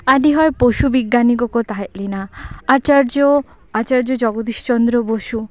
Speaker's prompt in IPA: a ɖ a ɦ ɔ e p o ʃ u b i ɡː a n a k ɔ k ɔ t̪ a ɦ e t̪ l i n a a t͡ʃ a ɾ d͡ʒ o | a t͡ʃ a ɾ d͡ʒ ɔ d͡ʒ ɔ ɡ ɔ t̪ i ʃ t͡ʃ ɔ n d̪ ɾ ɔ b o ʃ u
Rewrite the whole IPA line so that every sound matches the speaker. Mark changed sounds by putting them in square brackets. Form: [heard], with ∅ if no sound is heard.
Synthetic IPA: a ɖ [i] ɦ ɔ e p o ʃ u b i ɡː a n [i] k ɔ k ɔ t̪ a ɦ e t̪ l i n a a t͡ʃ a ɾ d͡ʒ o | a t͡ʃ a ɾ d͡ʒ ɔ d͡ʒ ɔ ɡ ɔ [d̪] i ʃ t͡ʃ ɔ n d̪ ɾ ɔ b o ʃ u